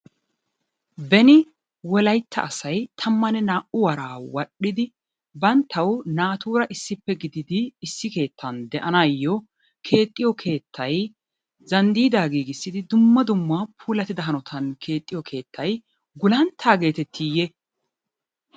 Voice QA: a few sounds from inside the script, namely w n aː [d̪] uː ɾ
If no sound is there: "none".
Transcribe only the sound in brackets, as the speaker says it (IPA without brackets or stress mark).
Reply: t̪